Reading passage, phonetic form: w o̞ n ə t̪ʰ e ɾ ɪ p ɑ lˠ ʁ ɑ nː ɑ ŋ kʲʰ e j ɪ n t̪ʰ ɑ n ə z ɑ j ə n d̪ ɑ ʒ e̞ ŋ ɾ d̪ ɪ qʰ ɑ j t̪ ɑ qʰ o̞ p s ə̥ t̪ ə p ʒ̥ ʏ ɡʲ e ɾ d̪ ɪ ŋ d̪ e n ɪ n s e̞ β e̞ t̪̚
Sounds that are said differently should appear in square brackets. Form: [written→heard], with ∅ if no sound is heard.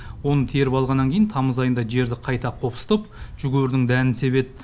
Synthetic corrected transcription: w o̞ n ə t̪ʰ e ɾ ɪ p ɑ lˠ ʁ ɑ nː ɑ ŋ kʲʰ e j ɪ n t̪ʰ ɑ [n→m] ə z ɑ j ə n d̪ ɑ ʒ e̞ [ŋ→∅] ɾ d̪ ɪ qʰ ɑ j t̪ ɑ qʰ o̞ p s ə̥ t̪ ə p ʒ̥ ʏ ɡʲ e ɾ d̪ ɪ ŋ d̪ [e→æ] n ɪ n s e̞ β e̞ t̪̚